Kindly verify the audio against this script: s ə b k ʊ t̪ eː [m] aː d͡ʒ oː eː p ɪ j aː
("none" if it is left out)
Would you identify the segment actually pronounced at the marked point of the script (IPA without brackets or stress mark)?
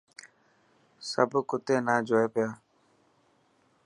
n